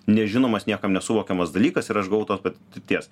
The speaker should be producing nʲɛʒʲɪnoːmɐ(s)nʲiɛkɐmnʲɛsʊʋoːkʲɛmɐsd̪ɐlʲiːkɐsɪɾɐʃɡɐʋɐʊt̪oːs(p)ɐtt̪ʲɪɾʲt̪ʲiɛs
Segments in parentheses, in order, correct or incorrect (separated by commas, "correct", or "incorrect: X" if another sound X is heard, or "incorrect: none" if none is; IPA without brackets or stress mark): correct, correct